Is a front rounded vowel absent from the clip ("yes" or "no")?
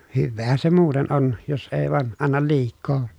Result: no